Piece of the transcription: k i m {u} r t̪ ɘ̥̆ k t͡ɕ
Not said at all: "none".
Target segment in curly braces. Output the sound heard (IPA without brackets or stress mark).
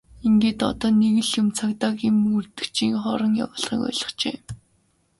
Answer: u